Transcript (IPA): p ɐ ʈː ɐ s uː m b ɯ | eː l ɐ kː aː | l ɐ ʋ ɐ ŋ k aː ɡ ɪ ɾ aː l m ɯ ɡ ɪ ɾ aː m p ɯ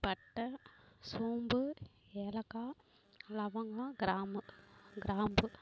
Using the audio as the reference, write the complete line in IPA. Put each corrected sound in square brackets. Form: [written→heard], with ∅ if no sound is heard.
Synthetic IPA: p ɐ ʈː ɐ s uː m b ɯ | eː l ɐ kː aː | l ɐ ʋ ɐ ŋ [k→ɡ] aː ɡ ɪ ɾ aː [l→∅] m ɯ ɡ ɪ ɾ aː m [p→b] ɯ